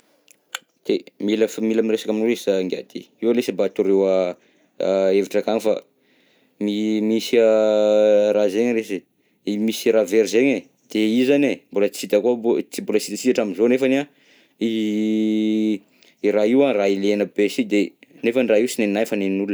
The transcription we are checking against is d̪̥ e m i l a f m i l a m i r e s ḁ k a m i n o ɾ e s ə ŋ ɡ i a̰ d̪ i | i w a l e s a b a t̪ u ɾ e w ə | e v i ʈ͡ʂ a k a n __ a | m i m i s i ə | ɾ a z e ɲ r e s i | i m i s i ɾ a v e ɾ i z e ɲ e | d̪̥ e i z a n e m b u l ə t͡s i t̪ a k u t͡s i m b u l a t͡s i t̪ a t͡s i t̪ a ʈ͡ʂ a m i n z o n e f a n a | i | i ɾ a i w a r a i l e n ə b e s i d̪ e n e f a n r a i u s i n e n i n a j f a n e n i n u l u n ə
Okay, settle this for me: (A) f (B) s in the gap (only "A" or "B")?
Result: A